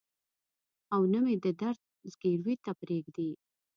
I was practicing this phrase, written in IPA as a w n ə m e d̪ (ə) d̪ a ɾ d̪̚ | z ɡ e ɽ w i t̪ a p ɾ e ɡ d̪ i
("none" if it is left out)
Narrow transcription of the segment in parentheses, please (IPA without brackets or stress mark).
ə